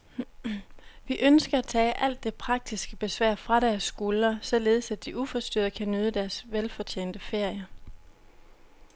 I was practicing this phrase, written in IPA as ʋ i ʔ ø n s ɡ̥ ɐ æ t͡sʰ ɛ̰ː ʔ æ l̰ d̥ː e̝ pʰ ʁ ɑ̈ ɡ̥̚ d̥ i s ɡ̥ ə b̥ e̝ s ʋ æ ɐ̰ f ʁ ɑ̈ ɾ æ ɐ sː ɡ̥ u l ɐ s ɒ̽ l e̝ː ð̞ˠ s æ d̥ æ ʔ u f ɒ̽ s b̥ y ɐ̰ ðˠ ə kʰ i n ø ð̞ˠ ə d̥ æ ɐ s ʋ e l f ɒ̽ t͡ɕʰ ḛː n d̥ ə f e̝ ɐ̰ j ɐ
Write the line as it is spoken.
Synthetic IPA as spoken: ʋ i ʔ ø n s ɡ̥ ɐ æ t͡sʰ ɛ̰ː ʔ æ l̰ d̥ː e̝ pʰ ʁ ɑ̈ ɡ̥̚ d̥ i s ɡ̥ ə b̥ e̝ s ʋ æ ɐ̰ f ʁ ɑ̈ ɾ æ ɐ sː ɡ̥ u l ɐ s ɒ̽ l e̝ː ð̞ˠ s æ d̥ i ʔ u f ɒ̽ s d̥ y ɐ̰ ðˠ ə kʰ æ n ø ð̞ˠ ə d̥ æ ɐ s ʋ e l f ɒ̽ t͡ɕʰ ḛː n d̥ ə f e̝ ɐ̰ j ɐ